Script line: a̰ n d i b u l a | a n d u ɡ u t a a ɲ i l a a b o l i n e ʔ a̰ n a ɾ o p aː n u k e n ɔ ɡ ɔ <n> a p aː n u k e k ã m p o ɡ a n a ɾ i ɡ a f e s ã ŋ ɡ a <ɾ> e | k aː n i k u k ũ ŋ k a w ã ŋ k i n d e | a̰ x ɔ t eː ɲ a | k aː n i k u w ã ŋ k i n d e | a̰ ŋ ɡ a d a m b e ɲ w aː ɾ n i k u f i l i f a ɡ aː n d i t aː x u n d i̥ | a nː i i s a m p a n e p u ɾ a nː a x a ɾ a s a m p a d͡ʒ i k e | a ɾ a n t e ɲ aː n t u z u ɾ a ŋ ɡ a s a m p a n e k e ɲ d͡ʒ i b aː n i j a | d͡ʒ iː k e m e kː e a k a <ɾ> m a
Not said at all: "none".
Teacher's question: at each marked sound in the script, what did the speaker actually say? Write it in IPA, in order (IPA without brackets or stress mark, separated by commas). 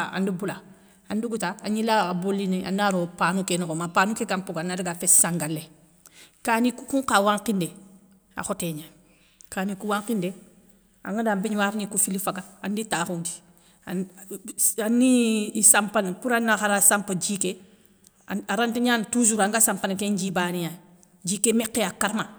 m, l, ɾ